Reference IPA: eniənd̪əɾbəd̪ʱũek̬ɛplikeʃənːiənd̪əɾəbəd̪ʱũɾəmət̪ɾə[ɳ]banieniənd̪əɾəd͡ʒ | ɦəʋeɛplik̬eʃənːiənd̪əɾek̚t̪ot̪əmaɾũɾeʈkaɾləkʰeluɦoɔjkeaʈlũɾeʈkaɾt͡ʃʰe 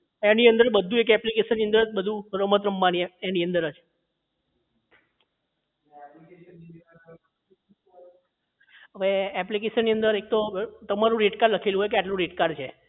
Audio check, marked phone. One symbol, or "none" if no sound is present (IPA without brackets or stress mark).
m